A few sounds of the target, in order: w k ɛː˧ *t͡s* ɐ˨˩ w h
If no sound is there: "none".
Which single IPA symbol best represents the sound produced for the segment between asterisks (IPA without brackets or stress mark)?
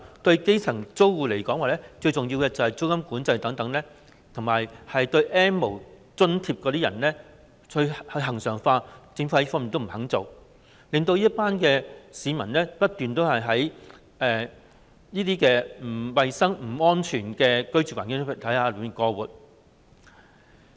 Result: t͡s